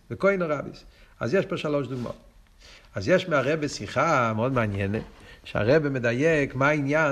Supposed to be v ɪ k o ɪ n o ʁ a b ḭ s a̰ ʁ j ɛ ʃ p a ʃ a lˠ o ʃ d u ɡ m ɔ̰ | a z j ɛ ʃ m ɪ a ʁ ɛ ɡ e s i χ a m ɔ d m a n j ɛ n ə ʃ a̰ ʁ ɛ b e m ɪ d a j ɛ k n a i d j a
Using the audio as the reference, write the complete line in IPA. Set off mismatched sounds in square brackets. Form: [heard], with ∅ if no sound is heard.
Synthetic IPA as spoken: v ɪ k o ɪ n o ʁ a b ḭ s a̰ [z] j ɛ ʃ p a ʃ a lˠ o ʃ d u ɡ m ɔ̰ | a z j ɛ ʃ m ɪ a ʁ ɛ [b] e s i χ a m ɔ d m a n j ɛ n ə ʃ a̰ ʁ ɛ b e m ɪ d a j ɛ k [m] a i [n] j a